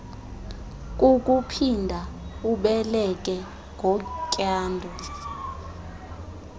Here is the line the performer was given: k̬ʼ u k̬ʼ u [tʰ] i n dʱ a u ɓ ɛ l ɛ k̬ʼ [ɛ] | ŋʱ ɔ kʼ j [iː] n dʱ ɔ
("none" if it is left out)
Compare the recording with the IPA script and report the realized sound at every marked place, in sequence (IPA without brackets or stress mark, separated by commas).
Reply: pʰ, ɛ, aː